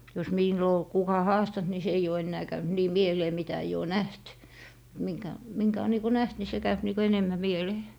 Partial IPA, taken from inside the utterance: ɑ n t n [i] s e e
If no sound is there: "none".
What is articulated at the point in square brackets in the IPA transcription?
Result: i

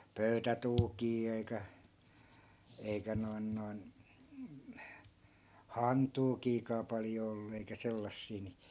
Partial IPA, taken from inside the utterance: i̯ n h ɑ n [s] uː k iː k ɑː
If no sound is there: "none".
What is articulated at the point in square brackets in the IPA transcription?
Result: t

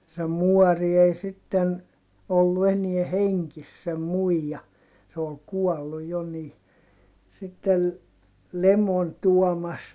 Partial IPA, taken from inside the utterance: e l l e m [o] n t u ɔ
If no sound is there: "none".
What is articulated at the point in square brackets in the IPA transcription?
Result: o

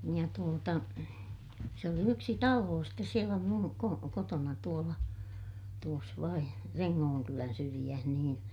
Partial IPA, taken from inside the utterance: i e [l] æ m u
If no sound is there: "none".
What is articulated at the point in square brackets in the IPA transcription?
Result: l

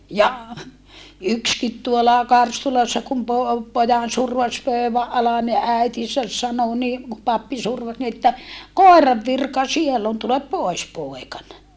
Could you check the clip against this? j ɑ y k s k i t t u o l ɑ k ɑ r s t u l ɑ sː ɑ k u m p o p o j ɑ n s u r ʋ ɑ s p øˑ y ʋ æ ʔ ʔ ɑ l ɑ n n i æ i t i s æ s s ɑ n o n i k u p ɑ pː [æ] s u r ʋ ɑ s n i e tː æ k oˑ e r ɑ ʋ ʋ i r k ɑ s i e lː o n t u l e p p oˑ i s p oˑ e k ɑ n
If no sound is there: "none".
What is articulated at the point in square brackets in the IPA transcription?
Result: i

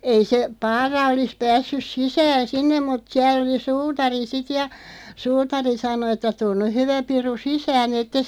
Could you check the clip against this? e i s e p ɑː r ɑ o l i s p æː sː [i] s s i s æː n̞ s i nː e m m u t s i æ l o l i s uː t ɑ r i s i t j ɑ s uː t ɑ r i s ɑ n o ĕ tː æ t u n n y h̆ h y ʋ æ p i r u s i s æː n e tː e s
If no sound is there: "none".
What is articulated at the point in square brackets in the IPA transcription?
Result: y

